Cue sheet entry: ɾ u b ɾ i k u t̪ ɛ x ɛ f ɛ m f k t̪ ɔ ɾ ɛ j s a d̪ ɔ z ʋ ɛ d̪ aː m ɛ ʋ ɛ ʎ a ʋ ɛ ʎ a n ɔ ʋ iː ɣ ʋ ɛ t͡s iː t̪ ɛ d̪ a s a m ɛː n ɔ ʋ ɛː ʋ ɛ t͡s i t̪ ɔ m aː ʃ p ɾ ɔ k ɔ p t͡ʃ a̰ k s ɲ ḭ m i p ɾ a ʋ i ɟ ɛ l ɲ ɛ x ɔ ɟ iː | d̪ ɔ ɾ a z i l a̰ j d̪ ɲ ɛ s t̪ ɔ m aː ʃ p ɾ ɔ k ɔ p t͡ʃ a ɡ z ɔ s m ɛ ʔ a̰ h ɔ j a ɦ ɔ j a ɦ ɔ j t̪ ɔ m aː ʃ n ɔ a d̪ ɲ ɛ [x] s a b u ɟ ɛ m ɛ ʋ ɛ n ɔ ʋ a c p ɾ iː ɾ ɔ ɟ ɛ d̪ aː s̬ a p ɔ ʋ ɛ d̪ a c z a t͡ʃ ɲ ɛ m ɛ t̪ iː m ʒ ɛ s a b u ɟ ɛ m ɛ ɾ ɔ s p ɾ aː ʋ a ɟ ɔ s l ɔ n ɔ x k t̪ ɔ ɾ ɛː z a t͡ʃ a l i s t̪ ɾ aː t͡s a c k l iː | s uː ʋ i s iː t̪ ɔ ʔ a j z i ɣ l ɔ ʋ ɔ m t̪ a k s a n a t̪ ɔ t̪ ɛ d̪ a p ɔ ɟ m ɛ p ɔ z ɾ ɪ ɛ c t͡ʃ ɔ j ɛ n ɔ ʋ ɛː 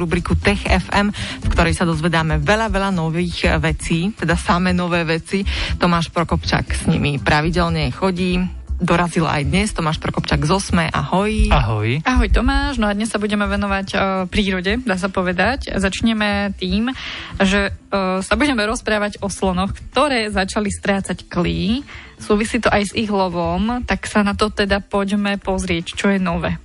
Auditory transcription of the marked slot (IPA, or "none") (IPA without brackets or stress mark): s